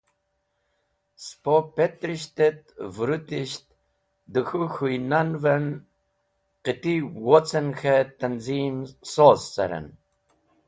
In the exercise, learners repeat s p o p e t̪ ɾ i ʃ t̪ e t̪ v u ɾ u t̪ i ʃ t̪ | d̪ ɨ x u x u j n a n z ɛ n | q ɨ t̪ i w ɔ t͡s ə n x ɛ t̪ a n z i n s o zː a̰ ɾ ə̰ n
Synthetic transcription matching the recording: s p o p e t̪ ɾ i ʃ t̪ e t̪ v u ɾ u t̪ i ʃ t̪ | d̪ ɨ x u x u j n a n v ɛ n | q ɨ t̪ i w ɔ t͡s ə n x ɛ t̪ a n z i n s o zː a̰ ɾ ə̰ n